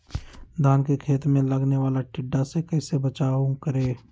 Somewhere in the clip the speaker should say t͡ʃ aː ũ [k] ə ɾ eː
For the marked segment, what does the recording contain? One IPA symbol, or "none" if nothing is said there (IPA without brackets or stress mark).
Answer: k